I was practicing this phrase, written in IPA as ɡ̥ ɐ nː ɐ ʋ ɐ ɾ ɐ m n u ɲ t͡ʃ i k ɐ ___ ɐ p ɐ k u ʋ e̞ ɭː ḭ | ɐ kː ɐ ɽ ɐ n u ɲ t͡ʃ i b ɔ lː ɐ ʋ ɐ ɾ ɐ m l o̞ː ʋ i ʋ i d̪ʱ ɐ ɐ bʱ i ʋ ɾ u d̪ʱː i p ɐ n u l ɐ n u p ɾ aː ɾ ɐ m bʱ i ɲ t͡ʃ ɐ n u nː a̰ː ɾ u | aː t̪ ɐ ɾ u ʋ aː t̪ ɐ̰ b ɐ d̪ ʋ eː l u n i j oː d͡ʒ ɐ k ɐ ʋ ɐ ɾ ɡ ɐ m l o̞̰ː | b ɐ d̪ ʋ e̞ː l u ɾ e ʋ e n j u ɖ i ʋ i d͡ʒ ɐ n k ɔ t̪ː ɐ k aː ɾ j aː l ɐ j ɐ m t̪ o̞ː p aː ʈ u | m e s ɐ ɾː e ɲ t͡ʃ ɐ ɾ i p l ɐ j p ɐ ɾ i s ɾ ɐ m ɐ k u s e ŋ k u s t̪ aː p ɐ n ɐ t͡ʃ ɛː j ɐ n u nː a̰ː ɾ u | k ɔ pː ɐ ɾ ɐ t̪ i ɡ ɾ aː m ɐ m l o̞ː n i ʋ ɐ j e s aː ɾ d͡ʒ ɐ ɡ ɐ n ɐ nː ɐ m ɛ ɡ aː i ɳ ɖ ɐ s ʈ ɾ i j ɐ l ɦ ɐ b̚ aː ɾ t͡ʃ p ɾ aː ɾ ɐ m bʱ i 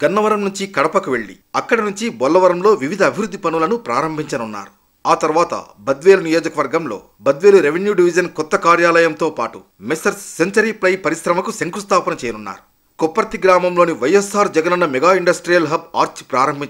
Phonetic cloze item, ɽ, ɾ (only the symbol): ɽ